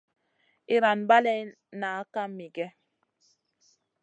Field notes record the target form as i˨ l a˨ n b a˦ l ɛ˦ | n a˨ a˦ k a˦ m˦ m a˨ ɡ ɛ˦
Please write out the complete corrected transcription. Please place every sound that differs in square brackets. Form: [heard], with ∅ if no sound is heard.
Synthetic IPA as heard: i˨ [ɾ] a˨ n b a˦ l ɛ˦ | n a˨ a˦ k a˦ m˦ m [i˨] ɡ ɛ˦